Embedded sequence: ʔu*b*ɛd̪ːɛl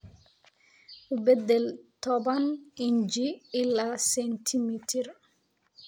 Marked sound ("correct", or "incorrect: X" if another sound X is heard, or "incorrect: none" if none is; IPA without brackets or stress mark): correct